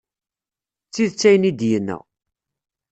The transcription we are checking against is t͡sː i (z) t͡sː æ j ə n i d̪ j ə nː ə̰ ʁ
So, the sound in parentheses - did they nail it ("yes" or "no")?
no